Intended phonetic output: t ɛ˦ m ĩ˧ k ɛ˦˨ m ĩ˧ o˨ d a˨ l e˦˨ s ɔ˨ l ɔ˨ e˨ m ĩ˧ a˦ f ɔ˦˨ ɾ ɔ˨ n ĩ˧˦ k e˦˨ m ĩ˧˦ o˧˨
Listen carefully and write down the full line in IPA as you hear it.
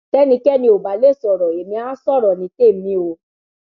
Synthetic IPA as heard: t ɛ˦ n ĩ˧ k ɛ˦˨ n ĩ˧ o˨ b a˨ l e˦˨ s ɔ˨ ɾ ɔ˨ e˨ m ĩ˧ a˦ s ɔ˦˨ ɾ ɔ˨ n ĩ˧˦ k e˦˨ m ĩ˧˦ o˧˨